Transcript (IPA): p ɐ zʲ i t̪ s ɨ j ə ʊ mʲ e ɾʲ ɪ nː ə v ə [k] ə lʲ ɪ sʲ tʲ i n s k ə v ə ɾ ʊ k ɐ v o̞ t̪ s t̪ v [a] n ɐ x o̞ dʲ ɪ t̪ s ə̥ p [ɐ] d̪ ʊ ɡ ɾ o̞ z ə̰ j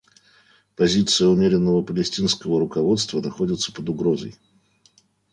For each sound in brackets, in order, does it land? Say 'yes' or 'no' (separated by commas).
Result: no, no, no